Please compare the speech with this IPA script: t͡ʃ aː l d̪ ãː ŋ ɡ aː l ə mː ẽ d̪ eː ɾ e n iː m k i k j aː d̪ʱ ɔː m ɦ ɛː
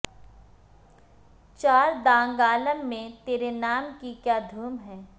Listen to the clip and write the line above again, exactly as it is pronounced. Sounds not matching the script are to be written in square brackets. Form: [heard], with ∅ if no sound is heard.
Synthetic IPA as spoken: t͡ʃ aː [ɾ] d̪ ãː ŋ ɡ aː l ə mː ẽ [t̪] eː ɾ e n [aː] m k i k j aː d̪ʱ [uː] m ɦ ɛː